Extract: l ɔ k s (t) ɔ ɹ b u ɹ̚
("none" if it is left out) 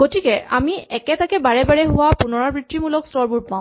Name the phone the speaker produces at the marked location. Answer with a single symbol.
t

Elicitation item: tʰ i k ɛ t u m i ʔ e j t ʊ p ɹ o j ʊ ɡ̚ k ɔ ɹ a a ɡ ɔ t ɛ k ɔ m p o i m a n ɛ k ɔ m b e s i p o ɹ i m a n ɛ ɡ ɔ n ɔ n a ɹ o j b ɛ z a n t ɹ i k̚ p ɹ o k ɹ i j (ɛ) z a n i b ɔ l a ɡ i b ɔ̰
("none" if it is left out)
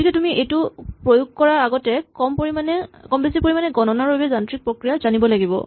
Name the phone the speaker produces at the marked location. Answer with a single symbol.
a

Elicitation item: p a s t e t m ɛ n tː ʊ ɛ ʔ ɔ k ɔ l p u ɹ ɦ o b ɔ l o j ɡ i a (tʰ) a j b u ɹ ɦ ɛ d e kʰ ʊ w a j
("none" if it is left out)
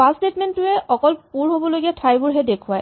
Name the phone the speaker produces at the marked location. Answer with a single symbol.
tʰ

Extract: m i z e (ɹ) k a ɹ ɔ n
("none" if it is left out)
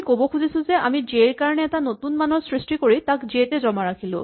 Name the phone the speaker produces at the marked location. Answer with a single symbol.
ɹ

